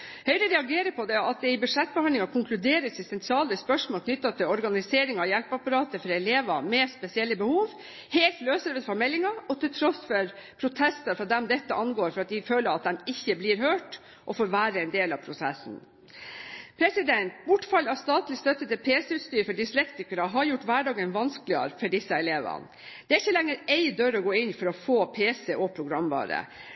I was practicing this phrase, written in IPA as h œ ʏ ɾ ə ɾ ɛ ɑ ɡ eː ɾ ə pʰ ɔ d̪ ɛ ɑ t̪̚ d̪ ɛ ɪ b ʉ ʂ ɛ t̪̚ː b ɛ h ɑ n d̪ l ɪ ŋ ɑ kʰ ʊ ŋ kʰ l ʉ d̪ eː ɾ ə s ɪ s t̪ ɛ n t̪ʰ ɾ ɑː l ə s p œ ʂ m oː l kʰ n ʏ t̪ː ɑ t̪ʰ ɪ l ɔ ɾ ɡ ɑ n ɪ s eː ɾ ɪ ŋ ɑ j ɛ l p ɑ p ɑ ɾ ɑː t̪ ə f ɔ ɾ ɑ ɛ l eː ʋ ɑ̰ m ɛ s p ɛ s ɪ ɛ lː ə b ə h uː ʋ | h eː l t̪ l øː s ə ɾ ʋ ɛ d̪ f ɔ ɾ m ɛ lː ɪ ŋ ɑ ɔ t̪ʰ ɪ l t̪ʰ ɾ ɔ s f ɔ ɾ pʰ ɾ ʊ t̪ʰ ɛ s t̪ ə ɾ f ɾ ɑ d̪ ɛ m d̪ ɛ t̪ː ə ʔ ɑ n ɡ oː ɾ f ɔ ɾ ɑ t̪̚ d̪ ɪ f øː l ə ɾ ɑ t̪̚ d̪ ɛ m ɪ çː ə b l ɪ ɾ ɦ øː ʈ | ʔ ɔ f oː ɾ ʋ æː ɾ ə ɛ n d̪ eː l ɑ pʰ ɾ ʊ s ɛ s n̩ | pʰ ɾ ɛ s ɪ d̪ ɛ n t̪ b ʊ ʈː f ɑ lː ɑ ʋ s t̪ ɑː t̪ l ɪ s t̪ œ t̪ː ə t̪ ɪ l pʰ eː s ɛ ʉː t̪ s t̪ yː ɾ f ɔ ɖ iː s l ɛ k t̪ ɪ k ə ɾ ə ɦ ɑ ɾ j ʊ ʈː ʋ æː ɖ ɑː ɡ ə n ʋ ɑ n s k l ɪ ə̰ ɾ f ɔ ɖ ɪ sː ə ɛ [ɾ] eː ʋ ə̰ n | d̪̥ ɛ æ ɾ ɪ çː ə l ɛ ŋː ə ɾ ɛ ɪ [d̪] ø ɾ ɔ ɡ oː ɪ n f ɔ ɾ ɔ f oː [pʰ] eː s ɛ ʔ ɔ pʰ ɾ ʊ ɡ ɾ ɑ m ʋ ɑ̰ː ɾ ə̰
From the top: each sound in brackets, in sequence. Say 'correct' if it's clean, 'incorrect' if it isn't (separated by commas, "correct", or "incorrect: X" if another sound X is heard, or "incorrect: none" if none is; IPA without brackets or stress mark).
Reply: incorrect: l, correct, correct